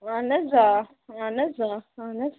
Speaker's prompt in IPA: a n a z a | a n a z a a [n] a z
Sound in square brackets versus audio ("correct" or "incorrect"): correct